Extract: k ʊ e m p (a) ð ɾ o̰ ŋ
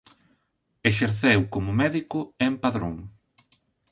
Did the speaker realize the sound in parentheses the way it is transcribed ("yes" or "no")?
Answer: yes